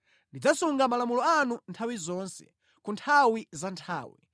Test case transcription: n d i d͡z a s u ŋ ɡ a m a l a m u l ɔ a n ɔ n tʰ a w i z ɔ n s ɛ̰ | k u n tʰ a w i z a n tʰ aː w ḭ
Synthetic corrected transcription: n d i d͡z a s u ŋ ɡ a m a l a m u l ɔ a n u n tʰ a w i z ɔ n s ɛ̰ | k u n tʰ a w i z a n tʰ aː w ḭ

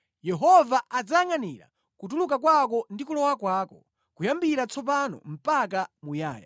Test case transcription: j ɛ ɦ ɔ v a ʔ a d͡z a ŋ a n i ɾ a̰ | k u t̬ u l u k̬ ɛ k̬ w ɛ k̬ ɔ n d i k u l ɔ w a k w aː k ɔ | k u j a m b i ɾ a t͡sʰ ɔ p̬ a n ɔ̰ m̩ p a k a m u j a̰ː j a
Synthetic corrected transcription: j ɛ ɦ ɔ v a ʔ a d͡z a ŋ a n i ɾ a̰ | k u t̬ u l u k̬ a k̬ w a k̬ ɔ n d i k u l ɔ w a k w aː k ɔ | k u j a m b i ɾ a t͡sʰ ɔ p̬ a n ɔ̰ m̩ p a k a m u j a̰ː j a

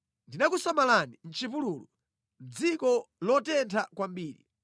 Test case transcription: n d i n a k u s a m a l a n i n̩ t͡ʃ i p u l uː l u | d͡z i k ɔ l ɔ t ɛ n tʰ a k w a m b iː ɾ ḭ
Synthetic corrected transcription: n d i n a k u s a m a l a n i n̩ t͡ʃ i p u l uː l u | d͡z i k ɔ l ɔ t ɛ n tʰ a k w a m b iː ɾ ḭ

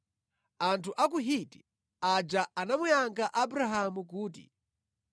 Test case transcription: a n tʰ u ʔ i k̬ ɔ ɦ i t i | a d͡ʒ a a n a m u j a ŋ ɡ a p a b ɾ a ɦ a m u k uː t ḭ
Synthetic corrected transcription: a n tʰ u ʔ a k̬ u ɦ i t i | a d͡ʒ a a n a m u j a ŋ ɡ a ʔ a b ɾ a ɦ a m u k uː t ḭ

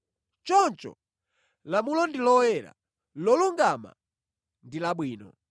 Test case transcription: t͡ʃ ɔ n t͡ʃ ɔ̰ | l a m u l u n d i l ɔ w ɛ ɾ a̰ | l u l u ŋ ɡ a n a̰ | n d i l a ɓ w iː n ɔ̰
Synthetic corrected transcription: t͡ʃ ɔ n t͡ʃ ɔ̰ | l a m u l ɔ n d i l ɔ w ɛ ɾ a̰ | l ɔ l u ŋ ɡ a m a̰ | n d i l a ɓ w iː n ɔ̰

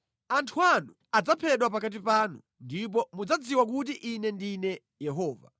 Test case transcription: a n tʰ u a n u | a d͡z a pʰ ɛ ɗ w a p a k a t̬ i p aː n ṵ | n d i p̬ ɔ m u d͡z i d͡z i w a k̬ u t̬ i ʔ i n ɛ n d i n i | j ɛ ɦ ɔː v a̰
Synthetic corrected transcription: a n tʰ u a n u | a d͡z a pʰ ɛ ɗ w a p a k a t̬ i p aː n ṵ | n d i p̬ ɔ m u d͡z a d͡z i w a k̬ u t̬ i ʔ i n ɛ n d i n ɛ | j ɛ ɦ ɔː v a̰

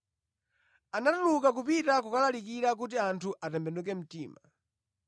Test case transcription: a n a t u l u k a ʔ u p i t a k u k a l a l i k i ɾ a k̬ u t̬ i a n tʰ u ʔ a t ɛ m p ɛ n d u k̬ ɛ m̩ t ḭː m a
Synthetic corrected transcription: a n a t u l u k a k u p i t a k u k a l a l i k i ɾ a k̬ u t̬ i a n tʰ u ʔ a t ɛ m b ɛ n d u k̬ ɛ m̩ t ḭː m a

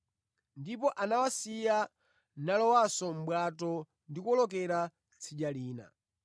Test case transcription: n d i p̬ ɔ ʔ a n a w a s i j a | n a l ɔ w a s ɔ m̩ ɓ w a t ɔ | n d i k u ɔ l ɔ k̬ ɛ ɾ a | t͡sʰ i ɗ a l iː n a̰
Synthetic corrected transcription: n d i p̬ ɔ ʔ a n a w a s i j a | n a l ɔ w a s ɔ m̩ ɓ w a t ɔ | n d i k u ɔ l ɔ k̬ ɛ ɾ a | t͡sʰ i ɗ a l iː n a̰

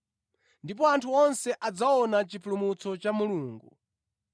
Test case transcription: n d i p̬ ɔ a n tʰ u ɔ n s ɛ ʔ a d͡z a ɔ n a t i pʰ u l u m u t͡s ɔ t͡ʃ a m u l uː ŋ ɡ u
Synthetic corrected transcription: n d i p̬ ɔ a n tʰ u ɔ n s ɛ ʔ a d͡z a ɔ n a t͡ʃ i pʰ u l u m u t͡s ɔ t͡ʃ a m u l uː ŋ ɡ u

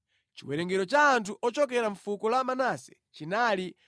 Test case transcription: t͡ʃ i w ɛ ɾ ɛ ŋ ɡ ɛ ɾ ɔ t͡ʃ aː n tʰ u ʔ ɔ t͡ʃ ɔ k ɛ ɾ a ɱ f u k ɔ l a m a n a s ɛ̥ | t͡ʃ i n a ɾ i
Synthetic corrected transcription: t͡ʃ i w ɛ ɾ ɛ ŋ ɡ ɛ ɾ ɔ t͡ʃ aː n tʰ u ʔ ɔ t͡ʃ ɔ k ɛ ɾ a ɱ f u k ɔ l a m a n a s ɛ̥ | t͡ʃ i n a l i

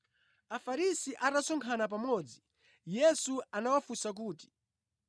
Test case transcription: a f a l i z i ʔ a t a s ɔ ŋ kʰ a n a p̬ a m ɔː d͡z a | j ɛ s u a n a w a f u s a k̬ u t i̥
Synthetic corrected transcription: a f a ɾ i s i ʔ a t a s ɔ ŋ kʰ a n a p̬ a m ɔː d͡z i | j ɛ s u a n a w a f u s a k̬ uː t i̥

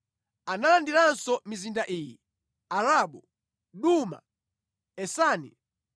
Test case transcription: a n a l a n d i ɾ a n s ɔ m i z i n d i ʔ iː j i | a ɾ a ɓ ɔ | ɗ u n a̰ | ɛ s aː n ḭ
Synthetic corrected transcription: a n a l a n d i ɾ a n s ɔ m i z i n d a ʔ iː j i | a ɾ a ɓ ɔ | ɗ u m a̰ | ɛ s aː n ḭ

